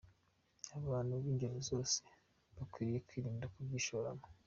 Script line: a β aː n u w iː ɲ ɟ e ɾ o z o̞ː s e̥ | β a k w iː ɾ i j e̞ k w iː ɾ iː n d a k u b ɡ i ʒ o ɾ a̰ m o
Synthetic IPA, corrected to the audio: a β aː n u β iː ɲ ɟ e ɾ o z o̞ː s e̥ | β a k w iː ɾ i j e̞ k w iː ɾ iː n d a k u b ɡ i ʃ o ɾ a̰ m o